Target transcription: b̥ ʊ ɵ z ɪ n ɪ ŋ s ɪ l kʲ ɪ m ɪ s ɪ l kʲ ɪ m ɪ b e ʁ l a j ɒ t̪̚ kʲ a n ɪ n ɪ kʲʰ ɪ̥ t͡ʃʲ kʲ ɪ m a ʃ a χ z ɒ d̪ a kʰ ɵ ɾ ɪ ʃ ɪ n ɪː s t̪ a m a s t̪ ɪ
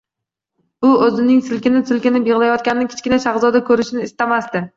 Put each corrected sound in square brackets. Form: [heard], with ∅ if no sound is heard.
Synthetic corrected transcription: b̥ ʊ ɵ z ɪ n ɪ ŋ s ɪ l kʲ ɪ [n] ɪ s ɪ l kʲ ɪ [n] ɪ b e ʁ l a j ɒ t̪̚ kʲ a n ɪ n ɪ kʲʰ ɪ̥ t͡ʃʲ kʲ ɪ [n] a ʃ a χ z ɒ d̪ a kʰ ɵ ɾ ɪ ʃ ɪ n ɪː s t̪ a m a s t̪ ɪ